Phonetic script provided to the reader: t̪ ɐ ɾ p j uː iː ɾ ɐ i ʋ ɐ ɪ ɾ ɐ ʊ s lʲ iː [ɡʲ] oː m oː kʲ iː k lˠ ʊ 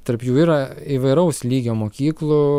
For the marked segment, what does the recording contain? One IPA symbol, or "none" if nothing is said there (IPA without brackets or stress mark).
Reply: ɡʲ